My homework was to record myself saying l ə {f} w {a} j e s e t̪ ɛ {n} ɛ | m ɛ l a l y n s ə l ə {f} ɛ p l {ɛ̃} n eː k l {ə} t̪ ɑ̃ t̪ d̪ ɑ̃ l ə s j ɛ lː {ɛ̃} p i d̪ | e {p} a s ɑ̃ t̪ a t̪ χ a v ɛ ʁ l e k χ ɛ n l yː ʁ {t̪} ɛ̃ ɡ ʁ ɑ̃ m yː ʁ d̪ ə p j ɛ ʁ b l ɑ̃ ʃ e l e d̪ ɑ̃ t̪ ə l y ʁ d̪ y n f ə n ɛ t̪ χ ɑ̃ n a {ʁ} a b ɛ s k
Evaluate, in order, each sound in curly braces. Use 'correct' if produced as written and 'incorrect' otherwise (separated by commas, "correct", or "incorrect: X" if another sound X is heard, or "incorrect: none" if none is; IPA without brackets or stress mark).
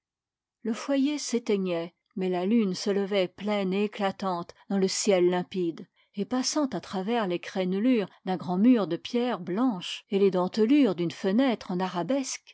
correct, correct, incorrect: ɲ, incorrect: v, incorrect: ɛ, incorrect: a, correct, correct, incorrect: d̪, correct